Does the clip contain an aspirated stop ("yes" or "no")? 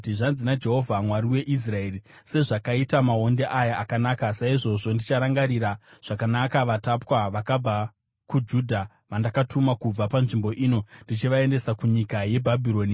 no